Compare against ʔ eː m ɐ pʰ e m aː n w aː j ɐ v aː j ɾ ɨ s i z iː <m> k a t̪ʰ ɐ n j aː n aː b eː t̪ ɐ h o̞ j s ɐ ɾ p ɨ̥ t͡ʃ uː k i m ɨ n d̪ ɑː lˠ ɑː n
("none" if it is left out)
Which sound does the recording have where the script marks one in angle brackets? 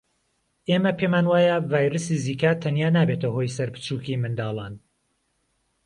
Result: none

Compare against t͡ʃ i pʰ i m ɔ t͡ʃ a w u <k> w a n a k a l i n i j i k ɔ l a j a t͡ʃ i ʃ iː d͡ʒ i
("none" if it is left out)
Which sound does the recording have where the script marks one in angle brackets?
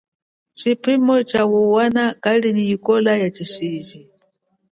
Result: none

